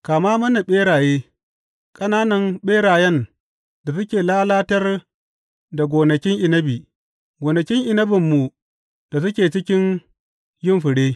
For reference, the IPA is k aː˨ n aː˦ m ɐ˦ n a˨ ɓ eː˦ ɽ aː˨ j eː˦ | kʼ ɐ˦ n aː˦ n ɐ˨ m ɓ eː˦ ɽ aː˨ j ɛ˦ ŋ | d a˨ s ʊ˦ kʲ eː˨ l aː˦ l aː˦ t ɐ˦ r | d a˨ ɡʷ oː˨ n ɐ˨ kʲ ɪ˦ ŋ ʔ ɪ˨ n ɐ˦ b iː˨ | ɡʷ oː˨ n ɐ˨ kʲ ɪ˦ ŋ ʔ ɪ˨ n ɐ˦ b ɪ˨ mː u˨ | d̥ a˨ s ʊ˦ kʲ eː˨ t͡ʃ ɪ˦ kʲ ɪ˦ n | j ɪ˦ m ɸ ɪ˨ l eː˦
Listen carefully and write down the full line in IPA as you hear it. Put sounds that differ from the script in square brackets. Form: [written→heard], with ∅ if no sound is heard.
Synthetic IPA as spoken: k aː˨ [n→m] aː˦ m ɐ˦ n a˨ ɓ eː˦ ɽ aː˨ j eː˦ | kʼ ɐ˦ n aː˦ n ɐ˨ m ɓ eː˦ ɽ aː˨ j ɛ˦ [ŋ→n] | d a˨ s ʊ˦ kʲ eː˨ l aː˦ l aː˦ t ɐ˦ r | d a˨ ɡʷ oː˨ n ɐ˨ kʲ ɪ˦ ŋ ʔ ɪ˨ n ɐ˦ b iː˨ | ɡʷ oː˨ n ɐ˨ kʲ ɪ˦ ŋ ʔ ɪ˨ n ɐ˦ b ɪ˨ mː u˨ | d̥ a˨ s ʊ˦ kʲ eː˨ t͡ʃ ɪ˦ kʲ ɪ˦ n | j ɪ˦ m ɸ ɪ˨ [l→ɽ] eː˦